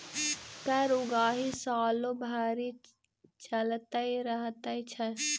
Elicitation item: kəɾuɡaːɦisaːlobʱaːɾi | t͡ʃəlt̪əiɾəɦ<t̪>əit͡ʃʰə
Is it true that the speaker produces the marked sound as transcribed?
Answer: yes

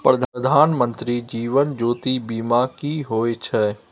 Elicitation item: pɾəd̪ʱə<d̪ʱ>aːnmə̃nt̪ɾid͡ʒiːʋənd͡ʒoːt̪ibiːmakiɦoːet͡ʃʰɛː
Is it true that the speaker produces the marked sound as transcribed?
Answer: yes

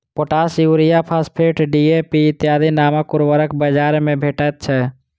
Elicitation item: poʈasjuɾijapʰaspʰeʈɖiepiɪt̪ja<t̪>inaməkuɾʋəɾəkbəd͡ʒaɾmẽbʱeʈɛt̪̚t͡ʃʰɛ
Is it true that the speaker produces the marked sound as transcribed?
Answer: no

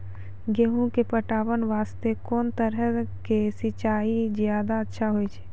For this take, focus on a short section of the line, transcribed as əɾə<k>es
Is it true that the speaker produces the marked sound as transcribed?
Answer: yes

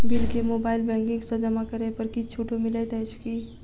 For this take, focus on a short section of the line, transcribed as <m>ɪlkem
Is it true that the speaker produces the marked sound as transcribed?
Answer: no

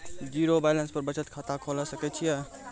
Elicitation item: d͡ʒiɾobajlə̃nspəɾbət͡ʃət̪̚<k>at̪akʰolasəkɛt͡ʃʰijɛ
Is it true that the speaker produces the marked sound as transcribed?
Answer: no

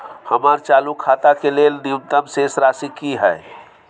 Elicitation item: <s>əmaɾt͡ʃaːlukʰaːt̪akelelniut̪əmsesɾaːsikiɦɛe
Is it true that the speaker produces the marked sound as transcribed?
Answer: no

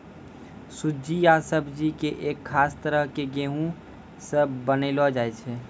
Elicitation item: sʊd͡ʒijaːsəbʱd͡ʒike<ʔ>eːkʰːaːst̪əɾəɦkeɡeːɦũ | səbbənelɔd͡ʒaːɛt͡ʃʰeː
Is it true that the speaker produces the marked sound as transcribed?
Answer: yes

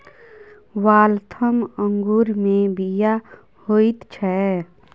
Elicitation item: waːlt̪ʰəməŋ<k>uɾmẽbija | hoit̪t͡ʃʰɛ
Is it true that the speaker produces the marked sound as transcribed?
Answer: no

